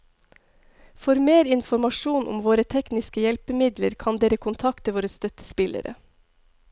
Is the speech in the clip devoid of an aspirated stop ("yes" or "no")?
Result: no